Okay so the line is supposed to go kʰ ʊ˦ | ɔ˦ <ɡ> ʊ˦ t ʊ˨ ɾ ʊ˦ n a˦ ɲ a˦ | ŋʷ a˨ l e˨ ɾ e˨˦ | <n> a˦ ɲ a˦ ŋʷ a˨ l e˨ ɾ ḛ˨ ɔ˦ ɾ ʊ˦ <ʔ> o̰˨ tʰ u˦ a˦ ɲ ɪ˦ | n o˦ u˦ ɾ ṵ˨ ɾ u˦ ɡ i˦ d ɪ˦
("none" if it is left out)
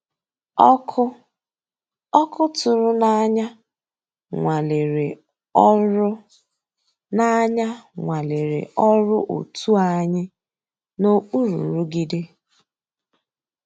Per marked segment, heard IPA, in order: k, n, ʔ

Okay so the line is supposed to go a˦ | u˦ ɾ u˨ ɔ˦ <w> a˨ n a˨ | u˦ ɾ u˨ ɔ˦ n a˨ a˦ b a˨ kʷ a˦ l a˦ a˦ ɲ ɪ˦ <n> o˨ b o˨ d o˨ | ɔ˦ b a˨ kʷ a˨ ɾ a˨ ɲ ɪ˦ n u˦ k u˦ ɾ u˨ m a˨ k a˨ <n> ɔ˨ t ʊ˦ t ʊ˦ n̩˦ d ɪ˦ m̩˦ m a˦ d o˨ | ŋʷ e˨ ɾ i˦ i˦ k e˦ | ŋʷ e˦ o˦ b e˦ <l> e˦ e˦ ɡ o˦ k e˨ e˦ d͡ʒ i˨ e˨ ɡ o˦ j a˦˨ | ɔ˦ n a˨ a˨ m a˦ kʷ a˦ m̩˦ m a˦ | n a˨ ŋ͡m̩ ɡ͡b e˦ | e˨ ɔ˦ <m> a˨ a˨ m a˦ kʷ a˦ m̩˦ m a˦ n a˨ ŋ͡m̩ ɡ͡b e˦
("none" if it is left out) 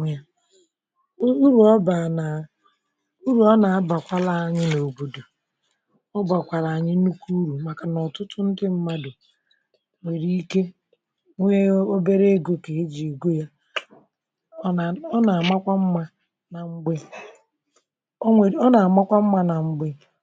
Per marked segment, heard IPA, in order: b, n, n, ɾ, n

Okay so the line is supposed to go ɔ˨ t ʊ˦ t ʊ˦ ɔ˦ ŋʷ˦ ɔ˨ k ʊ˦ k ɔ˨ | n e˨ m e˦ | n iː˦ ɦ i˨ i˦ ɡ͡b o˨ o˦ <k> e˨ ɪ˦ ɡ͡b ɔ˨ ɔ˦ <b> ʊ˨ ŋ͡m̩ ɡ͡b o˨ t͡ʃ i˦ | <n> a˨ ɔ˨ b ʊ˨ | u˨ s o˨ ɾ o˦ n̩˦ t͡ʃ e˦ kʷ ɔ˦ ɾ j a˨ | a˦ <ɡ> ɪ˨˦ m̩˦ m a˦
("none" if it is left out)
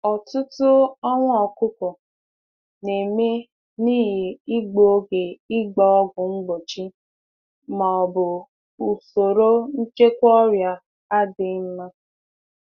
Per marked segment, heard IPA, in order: ɡ, ɡ, m, d

